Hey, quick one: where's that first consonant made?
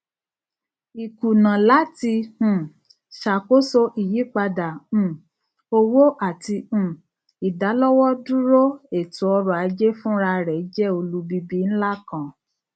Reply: velum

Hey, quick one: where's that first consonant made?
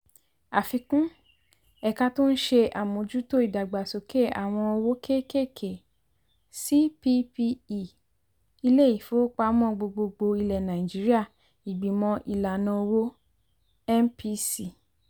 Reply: lips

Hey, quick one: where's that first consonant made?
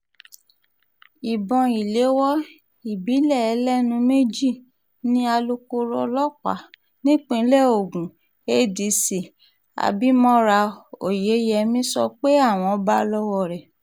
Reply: lips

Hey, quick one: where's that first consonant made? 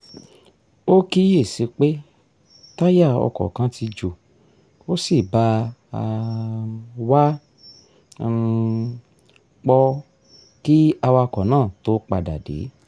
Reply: velum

